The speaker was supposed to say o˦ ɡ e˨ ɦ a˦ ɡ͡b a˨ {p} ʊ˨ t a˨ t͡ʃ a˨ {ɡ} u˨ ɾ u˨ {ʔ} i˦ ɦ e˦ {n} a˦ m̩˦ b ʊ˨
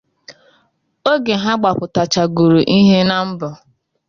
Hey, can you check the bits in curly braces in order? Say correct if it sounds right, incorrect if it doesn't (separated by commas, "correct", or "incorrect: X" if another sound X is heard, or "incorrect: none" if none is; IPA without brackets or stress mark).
correct, correct, correct, correct